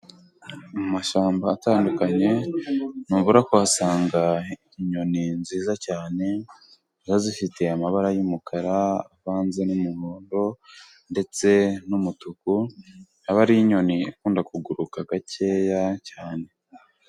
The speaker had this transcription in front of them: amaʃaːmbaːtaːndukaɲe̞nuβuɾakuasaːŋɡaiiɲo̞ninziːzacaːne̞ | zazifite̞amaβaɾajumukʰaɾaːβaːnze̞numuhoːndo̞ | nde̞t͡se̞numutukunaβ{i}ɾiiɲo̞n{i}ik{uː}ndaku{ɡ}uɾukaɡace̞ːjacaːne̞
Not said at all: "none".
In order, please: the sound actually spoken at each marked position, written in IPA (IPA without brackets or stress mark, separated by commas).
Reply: a, i, uː, ɡ